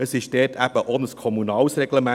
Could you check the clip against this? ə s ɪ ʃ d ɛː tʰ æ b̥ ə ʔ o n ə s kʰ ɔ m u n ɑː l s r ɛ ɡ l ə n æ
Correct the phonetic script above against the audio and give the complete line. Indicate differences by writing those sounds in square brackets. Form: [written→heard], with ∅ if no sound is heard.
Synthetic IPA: ə s ɪ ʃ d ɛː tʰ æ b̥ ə ʔ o n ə s kʰ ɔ m u n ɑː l s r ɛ ɡ l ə [n→m] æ